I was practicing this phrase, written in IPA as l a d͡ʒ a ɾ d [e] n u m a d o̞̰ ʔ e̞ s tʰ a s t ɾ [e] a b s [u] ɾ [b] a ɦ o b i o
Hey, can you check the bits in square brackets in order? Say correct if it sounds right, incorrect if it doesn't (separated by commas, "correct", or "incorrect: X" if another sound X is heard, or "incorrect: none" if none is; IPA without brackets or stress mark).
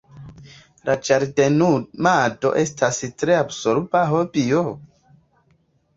correct, correct, incorrect: o, correct